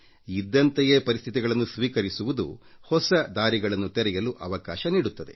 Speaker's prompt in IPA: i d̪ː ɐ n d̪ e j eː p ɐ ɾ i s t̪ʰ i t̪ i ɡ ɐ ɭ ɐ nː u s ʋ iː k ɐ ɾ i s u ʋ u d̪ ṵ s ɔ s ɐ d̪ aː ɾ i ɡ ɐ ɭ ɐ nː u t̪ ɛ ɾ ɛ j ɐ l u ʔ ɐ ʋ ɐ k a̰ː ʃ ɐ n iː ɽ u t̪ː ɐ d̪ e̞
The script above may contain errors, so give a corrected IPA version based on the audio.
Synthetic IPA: i d̪ː ɐ n t̪ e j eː p ɐ ɾ i s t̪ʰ i t̪ i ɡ ɐ ɭ ɐ nː u s ʋ iː k ɐ ɾ i s u ʋ u d̪ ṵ h ɔ s ɐ d̪ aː ɾ i ɡ ɐ ɭ ɐ nː u t̪ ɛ ɾ ɛ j ɐ l u ʔ ɐ ʋ ɐ k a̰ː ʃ ɐ n iː ɽ u t̪ː ɐ d̪ e̞